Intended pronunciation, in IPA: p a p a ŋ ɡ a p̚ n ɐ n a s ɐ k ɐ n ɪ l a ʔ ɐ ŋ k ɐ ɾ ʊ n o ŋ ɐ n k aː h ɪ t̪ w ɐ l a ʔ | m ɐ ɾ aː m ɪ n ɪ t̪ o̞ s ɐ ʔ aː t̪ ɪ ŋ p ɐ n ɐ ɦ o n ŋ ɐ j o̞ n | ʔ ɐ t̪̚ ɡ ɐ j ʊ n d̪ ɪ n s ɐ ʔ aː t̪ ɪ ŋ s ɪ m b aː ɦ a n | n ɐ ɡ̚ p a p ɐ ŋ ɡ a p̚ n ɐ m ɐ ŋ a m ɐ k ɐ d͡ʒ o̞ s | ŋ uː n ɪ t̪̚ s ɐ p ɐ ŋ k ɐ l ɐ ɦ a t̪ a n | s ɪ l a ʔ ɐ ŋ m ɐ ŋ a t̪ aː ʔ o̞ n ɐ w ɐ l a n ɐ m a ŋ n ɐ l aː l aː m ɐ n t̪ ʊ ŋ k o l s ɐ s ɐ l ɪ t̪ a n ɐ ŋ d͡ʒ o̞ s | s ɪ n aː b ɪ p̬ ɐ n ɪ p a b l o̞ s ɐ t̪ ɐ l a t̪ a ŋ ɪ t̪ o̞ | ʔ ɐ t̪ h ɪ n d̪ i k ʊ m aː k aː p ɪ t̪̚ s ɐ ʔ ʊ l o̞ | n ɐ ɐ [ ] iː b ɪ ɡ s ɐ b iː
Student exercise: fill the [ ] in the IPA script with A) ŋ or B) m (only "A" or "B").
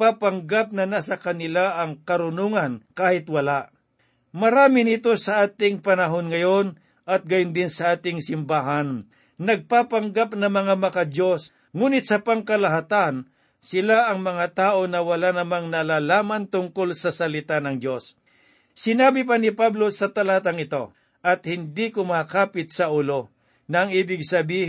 A